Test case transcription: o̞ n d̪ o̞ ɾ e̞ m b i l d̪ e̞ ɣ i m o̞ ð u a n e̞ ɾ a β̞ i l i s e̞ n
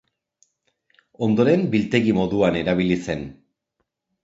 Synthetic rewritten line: o̞ n d̪ o̞ ɾ e̞ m b i l t̪ e̞ ɣ i m o̞ ð u a n e̞ ɾ a β̞ i l i s e̞ n